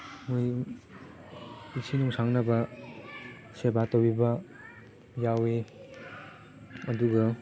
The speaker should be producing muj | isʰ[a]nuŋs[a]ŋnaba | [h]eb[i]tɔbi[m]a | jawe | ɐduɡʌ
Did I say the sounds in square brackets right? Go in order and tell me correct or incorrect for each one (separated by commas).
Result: incorrect, correct, incorrect, incorrect, incorrect